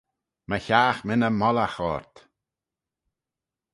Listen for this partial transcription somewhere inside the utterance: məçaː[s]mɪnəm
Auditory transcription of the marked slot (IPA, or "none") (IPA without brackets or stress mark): x